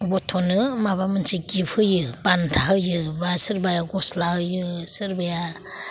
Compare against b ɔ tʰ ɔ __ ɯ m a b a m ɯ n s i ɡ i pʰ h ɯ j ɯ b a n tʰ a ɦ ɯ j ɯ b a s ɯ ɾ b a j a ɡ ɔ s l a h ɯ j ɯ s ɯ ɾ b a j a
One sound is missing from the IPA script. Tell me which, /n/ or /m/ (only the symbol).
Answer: n